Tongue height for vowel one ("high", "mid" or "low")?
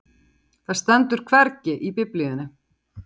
low